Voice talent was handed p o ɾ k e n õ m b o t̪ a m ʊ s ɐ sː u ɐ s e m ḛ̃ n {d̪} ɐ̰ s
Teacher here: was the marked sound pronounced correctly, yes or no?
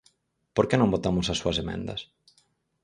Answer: yes